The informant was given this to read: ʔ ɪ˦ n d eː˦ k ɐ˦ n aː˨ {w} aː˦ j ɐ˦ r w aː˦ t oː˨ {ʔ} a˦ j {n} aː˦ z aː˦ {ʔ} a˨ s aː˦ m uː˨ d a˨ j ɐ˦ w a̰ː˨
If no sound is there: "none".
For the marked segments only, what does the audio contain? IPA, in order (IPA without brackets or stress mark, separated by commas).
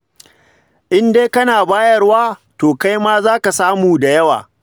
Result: b, k, m, k